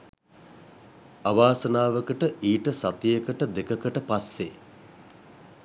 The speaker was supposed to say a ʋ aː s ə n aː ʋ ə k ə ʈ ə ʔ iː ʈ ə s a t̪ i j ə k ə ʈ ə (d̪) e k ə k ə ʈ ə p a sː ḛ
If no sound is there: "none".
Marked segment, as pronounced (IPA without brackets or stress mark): d̪